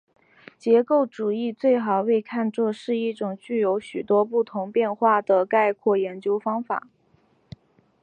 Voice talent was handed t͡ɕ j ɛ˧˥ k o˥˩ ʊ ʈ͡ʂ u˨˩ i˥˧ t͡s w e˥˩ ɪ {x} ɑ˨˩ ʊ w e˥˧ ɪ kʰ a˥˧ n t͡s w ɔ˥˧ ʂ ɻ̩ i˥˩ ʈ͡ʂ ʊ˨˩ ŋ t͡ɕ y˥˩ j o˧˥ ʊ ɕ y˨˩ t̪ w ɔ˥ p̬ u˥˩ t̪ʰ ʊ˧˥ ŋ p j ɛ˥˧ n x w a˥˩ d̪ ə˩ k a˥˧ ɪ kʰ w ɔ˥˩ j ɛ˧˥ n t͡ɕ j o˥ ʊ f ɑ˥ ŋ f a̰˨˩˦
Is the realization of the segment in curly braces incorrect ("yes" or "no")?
no